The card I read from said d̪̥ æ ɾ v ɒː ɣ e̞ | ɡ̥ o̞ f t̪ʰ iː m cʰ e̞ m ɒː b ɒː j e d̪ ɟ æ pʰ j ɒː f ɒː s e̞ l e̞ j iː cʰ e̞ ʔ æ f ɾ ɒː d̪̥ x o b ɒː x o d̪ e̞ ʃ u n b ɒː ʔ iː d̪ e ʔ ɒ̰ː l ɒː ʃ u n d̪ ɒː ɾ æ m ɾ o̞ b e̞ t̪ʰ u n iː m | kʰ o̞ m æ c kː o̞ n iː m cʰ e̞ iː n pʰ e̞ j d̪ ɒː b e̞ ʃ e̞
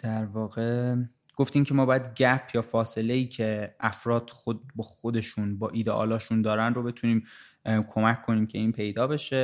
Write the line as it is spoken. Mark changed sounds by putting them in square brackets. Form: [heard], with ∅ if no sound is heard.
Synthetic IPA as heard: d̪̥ æ ɾ v ɒː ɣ e̞ | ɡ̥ o̞ f [t̪] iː m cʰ e̞ m ɒː b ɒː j [æ] d̪ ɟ æ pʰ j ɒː f ɒː s e̞ l e̞ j iː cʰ e̞ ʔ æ f ɾ ɒː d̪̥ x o b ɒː x o d̪ e̞ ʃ u n b ɒː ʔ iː d̪ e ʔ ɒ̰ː l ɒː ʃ u n d̪ ɒː ɾ æ [n] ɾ o̞ b e̞ t̪ʰ u n iː m | kʰ o̞ m æ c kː o̞ n iː m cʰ e̞ iː n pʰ e̞ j d̪ ɒː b e̞ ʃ e̞